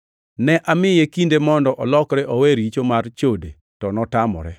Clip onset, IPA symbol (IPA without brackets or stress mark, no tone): n